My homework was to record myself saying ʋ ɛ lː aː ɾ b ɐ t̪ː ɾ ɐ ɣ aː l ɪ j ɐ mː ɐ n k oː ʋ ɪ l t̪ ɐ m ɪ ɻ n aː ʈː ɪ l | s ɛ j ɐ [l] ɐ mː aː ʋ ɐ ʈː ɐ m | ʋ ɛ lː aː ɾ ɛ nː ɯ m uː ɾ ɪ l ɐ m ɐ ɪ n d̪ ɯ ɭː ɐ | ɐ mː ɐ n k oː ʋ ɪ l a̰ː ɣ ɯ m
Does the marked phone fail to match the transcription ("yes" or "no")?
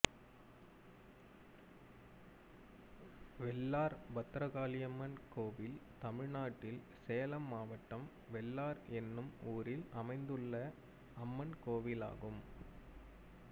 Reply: no